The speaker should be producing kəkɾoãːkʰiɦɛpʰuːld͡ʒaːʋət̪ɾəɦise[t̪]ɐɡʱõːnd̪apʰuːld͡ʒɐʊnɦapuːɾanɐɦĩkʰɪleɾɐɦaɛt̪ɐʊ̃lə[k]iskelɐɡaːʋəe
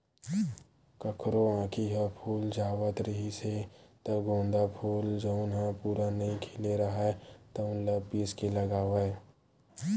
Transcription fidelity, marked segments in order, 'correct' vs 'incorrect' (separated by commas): correct, incorrect